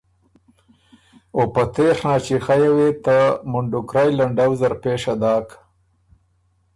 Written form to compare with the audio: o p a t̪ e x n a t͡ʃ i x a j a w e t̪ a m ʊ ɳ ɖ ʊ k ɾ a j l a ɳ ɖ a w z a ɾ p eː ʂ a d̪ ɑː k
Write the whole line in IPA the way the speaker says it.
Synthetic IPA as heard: o p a t̪ e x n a t͡ʃ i x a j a w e t̪ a m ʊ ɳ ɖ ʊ k ɾ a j l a ɳ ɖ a w z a ɾ p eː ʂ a d̪ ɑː k